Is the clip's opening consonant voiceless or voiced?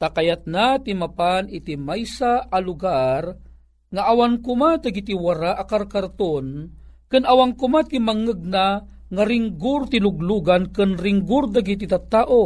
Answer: voiceless